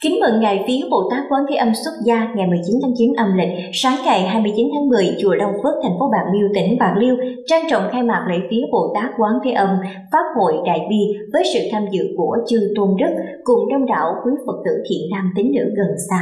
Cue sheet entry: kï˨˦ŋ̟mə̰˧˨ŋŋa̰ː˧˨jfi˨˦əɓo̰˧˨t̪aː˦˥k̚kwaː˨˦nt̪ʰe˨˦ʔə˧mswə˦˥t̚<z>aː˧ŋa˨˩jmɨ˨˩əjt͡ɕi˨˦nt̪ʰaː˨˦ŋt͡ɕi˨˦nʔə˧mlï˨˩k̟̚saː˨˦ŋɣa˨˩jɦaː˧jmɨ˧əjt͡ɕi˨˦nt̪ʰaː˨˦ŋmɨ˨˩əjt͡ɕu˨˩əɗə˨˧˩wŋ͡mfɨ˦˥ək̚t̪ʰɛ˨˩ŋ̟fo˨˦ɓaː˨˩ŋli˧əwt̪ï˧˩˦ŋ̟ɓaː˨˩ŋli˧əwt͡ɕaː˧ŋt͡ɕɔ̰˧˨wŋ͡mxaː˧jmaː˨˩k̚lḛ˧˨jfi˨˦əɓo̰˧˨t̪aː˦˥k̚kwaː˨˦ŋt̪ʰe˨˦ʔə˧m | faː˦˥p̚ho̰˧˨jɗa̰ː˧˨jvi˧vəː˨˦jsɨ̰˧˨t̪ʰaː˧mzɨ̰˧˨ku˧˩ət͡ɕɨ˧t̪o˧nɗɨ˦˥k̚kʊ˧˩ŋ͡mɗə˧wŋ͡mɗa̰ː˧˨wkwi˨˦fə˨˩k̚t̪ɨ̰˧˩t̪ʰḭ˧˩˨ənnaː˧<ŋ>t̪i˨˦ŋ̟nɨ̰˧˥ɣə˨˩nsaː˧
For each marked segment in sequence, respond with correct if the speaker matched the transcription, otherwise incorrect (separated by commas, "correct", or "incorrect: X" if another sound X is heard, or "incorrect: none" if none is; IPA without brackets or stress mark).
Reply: correct, incorrect: m